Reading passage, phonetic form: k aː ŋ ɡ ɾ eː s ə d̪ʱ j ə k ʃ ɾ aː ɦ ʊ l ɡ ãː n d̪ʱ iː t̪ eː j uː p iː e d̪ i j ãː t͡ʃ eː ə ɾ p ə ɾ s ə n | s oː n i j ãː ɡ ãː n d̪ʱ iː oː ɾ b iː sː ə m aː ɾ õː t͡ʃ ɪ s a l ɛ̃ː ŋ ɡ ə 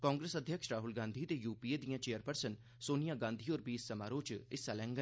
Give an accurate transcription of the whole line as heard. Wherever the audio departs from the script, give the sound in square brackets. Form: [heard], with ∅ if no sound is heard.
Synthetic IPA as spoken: k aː ŋ ɡ ɾ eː s ə d̪ʱ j ə k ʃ ɾ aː ɦ ʊ l ɡ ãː n d̪ʱ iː t̪ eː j uː p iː e d̪ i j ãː t͡ʃ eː ə ɾ p ə ɾ s ə n | s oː n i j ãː ɡ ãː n d̪ʱ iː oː ɾ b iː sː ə m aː ɾ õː t͡ʃ ɪ s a l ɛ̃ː ŋ ɡ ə